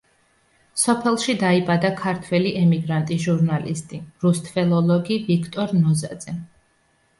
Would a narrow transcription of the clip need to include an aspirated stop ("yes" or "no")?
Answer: yes